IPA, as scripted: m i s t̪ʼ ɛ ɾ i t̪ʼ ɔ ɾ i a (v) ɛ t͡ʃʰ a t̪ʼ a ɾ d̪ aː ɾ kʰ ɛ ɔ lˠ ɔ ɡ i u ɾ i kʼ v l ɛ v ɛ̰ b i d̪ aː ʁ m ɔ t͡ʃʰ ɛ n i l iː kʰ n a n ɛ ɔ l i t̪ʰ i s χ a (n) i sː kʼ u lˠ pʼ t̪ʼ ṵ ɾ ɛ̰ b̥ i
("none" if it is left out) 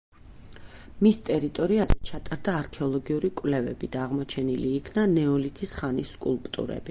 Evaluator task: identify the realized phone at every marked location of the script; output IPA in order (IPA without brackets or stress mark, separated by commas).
z, n